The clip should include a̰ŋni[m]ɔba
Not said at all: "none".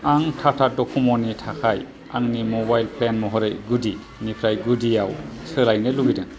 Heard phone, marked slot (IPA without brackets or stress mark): m